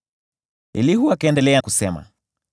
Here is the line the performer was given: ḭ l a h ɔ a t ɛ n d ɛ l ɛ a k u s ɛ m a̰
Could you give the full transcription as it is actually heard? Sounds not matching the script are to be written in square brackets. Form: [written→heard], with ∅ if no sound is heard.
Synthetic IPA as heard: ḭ l [a→i] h [ɔ→u] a [t→k] ɛ n d ɛ l ɛ a k u s ɛ m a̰